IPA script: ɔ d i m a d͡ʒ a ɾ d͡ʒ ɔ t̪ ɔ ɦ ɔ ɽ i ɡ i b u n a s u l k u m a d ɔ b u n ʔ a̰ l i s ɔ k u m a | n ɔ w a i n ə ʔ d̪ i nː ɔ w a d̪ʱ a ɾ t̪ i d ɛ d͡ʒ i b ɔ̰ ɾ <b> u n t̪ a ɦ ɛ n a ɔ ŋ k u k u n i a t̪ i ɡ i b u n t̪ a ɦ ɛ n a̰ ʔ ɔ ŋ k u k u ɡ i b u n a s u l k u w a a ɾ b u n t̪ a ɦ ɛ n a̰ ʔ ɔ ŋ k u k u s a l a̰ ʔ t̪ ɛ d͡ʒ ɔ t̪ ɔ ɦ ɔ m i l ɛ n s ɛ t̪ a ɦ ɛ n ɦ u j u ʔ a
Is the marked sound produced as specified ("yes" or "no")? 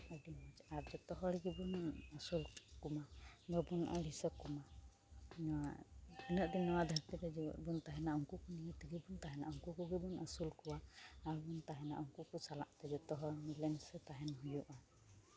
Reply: yes